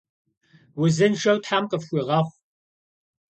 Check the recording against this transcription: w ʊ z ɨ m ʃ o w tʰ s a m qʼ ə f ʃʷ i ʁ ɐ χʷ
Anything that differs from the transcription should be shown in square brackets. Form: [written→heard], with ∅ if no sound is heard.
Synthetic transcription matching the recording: w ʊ z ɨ [m→n] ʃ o w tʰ [s→ħ] a m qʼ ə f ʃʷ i ʁ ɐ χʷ